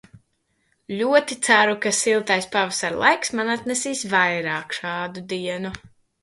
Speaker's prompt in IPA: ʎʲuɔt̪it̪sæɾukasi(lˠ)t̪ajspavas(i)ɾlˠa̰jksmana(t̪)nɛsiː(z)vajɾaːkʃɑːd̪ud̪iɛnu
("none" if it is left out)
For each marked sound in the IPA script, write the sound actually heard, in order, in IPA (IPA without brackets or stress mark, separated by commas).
lˠ, a, t̪, s